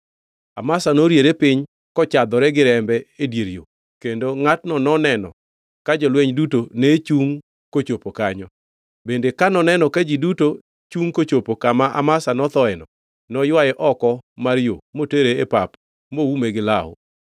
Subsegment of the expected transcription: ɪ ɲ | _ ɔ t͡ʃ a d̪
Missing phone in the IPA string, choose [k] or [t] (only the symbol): k